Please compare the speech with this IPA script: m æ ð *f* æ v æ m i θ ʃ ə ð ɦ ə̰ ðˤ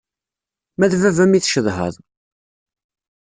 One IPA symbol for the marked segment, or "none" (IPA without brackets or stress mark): v